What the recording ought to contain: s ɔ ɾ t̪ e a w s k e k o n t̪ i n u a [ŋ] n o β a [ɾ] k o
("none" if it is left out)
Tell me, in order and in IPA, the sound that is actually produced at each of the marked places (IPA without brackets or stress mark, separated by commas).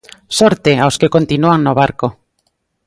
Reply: ŋ, ɾ